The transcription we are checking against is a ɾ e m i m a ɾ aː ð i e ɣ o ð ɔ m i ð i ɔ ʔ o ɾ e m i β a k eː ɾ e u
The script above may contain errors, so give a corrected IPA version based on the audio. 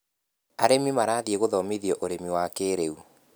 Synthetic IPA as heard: a ɾ e m i m a ɾ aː ð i e ɣ o ð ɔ m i ð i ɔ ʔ o ɾ e m i w a k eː ɾ e u